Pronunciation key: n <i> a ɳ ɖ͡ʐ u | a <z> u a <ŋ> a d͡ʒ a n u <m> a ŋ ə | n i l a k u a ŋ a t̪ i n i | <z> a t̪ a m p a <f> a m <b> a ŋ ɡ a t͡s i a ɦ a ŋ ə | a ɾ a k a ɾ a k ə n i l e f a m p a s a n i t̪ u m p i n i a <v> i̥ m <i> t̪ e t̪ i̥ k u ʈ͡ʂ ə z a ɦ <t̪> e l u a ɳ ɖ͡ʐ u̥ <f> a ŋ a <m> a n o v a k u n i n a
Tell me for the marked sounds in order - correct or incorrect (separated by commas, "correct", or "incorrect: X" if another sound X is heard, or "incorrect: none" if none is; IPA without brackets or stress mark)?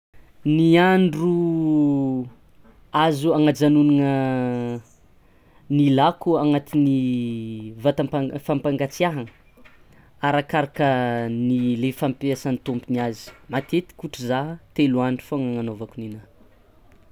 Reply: correct, correct, correct, incorrect: n, incorrect: v, correct, incorrect: p, incorrect: z, incorrect: a, correct, correct, incorrect: ŋ